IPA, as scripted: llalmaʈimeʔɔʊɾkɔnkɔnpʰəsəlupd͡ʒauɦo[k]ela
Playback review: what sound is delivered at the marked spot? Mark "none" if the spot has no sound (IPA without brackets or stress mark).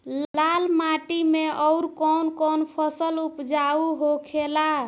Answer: kʰ